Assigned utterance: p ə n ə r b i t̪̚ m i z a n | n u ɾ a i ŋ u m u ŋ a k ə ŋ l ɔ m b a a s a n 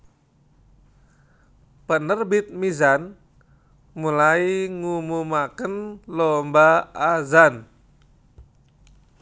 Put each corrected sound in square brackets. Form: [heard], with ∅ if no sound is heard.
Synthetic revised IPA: p ə n ə r b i t̪̚ m i z a n | [m] u [l] a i ŋ u m u [m] a k ə [n] l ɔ m b a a [z] a n